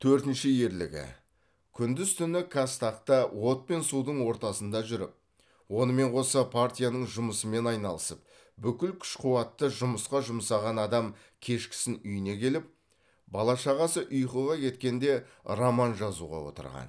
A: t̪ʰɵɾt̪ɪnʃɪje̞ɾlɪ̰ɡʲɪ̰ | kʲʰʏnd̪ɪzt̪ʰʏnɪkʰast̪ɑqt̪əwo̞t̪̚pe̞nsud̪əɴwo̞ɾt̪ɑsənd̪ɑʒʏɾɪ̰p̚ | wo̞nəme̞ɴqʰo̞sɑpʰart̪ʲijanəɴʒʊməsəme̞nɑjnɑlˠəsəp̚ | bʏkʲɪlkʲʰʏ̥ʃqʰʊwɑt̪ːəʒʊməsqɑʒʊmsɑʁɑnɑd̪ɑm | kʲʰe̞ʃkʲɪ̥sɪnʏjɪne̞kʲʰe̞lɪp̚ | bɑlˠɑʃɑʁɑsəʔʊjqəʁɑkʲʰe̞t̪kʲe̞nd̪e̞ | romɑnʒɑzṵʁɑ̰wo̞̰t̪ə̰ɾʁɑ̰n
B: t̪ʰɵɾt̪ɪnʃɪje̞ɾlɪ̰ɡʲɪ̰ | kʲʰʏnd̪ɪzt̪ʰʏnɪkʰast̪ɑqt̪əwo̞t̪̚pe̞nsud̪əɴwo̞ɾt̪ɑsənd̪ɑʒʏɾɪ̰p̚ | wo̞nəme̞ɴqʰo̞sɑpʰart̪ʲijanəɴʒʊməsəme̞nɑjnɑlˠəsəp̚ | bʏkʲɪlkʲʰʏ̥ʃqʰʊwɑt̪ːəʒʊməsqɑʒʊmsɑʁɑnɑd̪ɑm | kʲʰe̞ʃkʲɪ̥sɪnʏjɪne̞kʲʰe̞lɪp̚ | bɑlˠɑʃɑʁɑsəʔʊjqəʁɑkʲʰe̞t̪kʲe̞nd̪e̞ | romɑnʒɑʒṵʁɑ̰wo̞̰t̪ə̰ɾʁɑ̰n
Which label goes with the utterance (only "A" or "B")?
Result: A